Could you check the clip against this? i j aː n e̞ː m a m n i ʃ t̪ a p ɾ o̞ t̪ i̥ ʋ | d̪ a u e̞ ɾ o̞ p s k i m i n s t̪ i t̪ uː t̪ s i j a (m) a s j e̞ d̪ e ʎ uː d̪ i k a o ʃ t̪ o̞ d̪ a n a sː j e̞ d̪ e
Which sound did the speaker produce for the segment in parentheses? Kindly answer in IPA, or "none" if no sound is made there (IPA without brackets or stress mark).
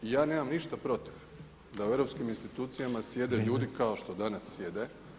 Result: m